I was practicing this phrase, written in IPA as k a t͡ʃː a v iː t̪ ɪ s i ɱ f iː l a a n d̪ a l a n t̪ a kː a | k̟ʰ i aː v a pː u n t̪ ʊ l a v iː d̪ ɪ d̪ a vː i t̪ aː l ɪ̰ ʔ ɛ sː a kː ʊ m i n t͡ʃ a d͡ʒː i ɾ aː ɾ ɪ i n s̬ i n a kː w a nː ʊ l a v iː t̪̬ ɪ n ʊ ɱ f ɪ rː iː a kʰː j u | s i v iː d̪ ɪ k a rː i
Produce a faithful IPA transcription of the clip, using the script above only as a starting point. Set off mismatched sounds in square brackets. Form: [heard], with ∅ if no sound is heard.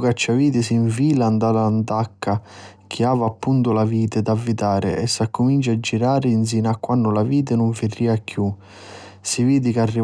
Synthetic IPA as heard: k a t͡ʃː a v iː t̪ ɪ s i ɱ f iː l a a n d̪ a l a n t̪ a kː a | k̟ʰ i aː v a pː u n t̪ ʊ l a v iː [t̪] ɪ d̪ a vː i t̪ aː [ɾ] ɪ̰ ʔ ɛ sː a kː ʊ m i n t͡ʃ a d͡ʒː i ɾ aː ɾ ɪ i n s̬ i n a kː w a nː ʊ l a v iː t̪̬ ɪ n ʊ ɱ f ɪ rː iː a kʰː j u | s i v iː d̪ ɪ k a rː i